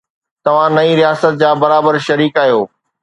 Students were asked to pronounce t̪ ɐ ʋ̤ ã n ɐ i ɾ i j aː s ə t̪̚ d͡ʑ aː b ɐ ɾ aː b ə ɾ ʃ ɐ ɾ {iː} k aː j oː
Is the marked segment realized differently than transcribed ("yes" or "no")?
no